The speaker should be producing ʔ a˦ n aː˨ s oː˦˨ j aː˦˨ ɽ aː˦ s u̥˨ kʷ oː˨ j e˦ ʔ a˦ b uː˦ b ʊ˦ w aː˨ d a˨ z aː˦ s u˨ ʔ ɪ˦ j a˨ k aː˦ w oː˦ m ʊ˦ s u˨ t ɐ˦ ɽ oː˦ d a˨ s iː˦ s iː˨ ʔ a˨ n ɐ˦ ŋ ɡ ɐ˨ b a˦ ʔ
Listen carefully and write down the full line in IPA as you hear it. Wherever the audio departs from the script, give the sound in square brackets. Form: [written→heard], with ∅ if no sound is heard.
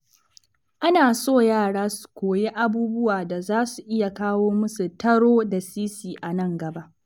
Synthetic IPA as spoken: ʔ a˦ n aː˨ s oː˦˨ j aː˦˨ ɽ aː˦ s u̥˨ kʷ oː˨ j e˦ ʔ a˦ b uː˦ b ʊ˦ w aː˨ d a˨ z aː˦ s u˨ ʔ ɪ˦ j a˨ k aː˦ w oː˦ m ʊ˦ s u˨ t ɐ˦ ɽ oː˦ d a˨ s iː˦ s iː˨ ʔ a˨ n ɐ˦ ŋ ɡ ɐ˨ b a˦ ʔ